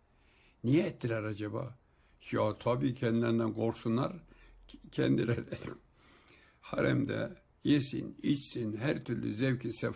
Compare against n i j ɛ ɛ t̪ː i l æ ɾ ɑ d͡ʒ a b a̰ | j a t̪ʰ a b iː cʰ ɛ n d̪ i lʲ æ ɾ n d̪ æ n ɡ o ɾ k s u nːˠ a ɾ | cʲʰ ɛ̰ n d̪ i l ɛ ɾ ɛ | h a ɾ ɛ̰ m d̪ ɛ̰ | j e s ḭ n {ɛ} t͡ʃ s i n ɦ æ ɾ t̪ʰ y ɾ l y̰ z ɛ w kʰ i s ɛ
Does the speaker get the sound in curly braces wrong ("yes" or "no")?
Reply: yes